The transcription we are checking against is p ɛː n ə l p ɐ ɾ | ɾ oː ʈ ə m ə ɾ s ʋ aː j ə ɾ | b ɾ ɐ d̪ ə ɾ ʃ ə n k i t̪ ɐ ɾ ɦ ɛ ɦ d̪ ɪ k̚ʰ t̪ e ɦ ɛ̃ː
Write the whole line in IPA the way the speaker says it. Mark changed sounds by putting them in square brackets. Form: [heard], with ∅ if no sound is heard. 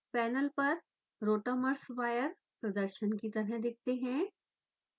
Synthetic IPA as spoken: p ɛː n ə l p ɐ ɾ | ɾ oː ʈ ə m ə ɾ s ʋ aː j ə ɾ | [p] ɾ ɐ d̪ ə ɾ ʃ ə n k i t̪ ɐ ɾ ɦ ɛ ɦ d̪ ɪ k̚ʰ t̪ e ɦ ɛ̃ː